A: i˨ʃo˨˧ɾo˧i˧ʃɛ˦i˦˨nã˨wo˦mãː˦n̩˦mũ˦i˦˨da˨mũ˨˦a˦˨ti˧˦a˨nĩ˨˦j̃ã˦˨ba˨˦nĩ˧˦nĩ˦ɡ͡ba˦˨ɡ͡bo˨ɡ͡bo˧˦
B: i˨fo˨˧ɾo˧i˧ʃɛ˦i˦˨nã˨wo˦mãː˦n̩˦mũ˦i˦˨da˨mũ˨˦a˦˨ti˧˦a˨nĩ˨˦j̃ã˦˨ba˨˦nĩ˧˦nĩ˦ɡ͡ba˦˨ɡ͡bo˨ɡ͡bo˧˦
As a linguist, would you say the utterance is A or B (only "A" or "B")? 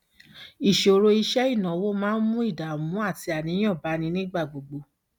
A